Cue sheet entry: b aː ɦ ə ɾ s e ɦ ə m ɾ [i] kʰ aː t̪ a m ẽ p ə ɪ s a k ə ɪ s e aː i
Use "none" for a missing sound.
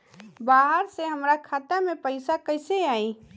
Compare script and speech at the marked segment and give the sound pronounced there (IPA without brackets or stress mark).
a